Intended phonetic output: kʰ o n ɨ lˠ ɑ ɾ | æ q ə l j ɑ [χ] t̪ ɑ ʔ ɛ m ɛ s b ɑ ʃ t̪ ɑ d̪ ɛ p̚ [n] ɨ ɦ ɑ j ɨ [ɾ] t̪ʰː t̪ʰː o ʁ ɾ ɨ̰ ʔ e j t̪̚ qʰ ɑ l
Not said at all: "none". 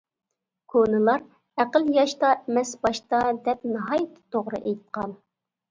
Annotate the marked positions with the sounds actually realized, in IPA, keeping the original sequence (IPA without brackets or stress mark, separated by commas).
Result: ʃ, n, none